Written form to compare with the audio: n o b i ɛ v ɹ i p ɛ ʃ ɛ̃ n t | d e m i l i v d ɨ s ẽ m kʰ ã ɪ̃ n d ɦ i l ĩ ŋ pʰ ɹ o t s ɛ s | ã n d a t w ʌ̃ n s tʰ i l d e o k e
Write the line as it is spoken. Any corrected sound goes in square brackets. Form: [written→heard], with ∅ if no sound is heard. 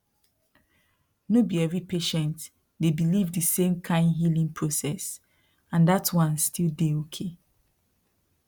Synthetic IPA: n o b i ɛ v ɹ i p [ɛ→e] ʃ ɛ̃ n t | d e [m→b] i l i v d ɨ s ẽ m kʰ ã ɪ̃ n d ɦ i l ĩ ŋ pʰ ɹ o [t→∅] s ɛ s | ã n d a t w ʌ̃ n s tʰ i l d e o [k→kʰ] e